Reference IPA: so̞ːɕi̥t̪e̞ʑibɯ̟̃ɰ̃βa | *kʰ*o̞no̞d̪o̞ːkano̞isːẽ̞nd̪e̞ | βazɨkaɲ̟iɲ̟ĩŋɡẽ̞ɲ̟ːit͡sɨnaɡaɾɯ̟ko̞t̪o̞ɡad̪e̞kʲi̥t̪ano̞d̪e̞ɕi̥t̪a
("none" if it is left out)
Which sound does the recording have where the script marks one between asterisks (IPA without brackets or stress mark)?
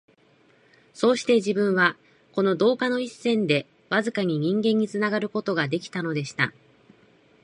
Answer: k